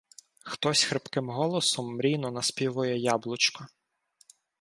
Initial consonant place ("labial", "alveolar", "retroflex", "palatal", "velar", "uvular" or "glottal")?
velar